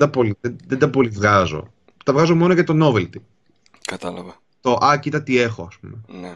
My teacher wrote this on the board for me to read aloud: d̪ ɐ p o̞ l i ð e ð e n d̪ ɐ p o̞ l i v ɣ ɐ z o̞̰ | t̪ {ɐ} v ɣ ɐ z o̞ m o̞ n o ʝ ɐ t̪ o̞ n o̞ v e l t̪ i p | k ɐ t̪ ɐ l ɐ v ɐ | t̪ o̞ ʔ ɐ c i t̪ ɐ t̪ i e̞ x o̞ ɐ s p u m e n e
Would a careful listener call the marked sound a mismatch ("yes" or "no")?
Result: no